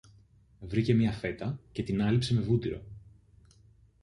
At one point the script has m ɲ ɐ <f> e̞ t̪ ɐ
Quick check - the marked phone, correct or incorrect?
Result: correct